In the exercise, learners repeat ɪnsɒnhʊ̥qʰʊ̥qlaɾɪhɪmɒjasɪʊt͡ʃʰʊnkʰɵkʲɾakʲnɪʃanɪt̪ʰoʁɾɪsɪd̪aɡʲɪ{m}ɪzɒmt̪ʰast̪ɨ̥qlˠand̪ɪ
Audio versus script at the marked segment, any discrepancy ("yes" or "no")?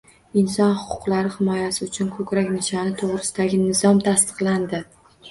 yes